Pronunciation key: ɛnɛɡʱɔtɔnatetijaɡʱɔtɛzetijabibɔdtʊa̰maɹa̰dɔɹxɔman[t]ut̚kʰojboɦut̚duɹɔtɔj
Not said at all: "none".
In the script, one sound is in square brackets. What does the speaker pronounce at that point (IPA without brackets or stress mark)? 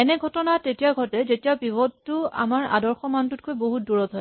t